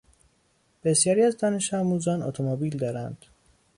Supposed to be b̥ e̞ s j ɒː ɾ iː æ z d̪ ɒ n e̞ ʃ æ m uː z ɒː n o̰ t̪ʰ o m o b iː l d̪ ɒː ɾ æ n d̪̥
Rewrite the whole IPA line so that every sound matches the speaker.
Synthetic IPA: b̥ e̞ s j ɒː ɾ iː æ z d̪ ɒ n e̞ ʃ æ m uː z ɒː n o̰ t̪ʰ o m o b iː l d̪ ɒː ɾ æ n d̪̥